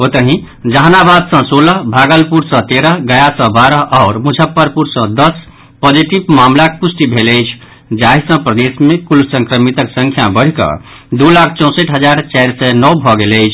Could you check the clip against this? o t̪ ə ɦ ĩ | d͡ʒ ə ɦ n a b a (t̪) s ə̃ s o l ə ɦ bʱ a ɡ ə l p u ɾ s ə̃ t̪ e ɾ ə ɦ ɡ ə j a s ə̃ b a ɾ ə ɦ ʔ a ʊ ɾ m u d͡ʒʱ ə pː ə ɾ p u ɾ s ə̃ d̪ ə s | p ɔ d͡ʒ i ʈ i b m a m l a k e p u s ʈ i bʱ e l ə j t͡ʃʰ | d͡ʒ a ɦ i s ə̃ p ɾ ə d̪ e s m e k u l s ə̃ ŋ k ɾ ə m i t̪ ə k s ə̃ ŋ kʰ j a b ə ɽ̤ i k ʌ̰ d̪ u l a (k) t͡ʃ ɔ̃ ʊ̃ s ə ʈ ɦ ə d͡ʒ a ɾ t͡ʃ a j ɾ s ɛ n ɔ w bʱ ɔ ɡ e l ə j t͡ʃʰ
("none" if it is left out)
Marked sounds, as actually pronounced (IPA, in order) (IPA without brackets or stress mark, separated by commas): d̪, kʰ